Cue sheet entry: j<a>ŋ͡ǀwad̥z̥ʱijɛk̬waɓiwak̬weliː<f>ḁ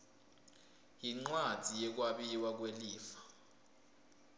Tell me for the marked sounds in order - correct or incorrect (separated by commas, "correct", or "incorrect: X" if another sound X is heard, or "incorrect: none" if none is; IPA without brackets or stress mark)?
incorrect: i, correct